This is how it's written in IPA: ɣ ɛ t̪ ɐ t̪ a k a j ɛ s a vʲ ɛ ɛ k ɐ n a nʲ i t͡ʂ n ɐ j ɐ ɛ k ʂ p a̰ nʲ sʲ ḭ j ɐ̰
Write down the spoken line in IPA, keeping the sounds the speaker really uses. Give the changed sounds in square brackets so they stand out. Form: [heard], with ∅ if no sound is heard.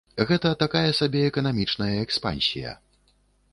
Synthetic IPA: ɣ ɛ t̪ ɐ t̪ a k a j ɛ s a [bʲ] ɛ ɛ k ɐ n a [mʲ] i t͡ʂ n ɐ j ɐ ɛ k [s] p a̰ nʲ sʲ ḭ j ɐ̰